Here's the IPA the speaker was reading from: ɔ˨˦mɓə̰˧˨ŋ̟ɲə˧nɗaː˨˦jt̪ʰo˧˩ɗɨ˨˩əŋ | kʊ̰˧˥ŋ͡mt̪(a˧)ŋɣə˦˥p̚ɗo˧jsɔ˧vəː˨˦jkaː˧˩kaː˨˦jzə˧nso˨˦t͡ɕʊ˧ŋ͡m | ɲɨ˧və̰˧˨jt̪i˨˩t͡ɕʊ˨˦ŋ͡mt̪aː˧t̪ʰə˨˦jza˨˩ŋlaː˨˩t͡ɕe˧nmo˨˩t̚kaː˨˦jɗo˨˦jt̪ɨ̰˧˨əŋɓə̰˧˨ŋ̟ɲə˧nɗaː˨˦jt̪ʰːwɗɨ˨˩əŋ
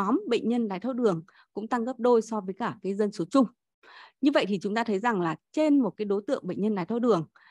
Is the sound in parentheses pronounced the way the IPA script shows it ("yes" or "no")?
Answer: yes